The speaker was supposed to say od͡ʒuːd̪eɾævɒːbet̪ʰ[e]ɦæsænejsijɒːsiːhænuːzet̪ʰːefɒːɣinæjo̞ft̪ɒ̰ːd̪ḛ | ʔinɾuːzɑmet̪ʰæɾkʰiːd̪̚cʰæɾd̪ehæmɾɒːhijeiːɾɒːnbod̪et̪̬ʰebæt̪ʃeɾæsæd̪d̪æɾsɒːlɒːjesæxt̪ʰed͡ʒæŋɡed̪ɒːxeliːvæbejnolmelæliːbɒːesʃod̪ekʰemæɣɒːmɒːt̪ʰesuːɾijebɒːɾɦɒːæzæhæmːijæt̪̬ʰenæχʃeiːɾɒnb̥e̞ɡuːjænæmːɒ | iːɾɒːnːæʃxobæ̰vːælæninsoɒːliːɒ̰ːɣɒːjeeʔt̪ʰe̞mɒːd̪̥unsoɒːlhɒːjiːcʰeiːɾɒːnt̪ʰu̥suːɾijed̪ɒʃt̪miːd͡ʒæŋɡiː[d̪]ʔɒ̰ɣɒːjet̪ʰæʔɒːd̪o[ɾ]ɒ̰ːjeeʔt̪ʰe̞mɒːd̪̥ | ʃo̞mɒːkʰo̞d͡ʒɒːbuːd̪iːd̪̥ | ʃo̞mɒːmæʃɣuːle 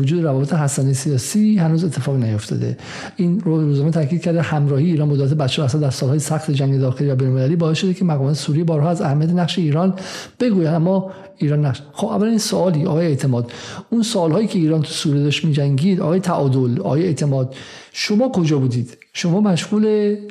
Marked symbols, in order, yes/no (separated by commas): yes, yes, no